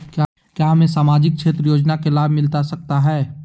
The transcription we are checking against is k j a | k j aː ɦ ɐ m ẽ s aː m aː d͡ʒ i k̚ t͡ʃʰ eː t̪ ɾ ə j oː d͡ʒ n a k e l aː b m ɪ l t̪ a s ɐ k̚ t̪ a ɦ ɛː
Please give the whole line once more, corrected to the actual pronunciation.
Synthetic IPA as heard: k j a | k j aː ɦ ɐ m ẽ s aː m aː d͡ʒ ɪ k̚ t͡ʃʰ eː t̪ ɾ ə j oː d͡ʒ n a k e l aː b m ɪ l t̪ a s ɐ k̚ t̪ a ɦ ɛː

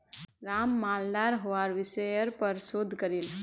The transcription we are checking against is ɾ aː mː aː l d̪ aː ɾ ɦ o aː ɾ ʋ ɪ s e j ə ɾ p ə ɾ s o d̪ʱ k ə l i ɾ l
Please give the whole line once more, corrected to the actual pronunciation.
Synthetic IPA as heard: ɾ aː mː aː l d̪ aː ɾ ɦ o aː ɾ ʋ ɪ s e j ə ɾ p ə ɾ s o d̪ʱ k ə ɾ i l

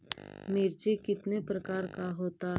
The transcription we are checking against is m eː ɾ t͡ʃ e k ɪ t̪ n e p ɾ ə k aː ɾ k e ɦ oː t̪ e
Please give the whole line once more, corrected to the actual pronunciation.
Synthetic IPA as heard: m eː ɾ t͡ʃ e k ɪ t̪ n e p ɾ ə k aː ɾ k a ɦ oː t̪ a

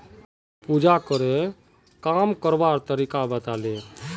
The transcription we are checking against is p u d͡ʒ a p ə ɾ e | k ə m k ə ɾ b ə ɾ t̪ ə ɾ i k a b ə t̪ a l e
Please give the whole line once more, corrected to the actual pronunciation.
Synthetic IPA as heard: p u d͡ʒ a k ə ɾ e | k a m k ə ɾ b a ɾ t̪ ə ɾ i k a b ə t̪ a l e

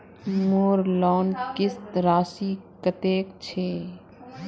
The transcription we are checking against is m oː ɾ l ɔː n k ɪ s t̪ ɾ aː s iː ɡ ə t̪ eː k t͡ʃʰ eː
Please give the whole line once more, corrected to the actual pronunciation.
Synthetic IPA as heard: m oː ɾ l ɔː n k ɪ s t̪ ɾ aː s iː k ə t̪ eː k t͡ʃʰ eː

